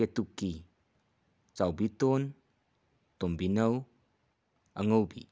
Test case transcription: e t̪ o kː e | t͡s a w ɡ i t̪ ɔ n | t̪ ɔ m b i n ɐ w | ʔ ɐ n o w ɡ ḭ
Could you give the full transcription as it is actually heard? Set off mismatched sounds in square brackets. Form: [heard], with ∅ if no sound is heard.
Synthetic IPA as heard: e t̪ [u] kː [i] | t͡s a w [b] i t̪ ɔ n | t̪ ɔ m b i n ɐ w | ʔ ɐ [ŋ] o w [b] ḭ